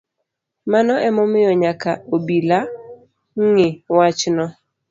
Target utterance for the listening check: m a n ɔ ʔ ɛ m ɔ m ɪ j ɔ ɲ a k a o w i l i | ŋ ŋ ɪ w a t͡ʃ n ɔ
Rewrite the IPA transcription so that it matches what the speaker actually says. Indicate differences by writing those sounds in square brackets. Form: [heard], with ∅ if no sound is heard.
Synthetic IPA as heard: m a n ɔ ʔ ɛ m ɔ m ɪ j ɔ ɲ a k a o [b] i l [a] | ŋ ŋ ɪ w a t͡ʃ n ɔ